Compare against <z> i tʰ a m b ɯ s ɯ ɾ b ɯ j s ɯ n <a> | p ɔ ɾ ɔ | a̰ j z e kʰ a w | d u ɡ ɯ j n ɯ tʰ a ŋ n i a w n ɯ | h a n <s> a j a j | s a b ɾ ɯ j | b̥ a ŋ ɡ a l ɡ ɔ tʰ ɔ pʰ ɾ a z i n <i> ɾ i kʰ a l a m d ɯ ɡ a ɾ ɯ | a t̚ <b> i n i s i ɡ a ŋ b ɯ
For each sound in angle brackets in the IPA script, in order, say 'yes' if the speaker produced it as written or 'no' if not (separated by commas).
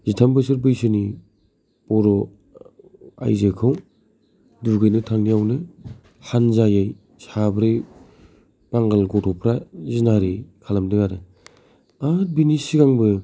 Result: yes, no, no, no, yes